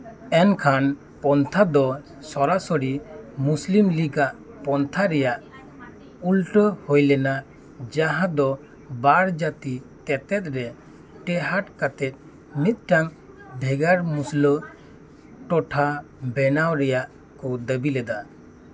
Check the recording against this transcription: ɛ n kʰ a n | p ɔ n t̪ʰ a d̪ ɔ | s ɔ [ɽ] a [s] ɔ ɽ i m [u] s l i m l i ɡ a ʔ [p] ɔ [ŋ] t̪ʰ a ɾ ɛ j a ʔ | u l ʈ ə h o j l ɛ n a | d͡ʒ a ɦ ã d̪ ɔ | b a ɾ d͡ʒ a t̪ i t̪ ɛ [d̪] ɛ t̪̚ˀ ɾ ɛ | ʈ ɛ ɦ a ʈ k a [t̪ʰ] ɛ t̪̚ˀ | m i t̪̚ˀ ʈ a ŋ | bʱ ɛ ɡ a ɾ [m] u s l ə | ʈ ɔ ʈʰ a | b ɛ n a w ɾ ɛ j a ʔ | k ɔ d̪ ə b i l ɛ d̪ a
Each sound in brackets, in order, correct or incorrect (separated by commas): incorrect, correct, correct, correct, incorrect, incorrect, incorrect, correct